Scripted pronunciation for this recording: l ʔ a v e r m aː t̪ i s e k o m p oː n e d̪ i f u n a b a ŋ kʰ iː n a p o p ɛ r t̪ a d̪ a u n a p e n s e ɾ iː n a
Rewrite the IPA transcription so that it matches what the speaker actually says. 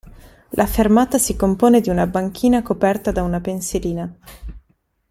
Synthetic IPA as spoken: l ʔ a f e r m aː t̪ a s i k o m p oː n e d̪ i u n a b a ŋ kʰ iː n a k o p ɛ r t̪ a d̪ a u n a p e n s e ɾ iː n a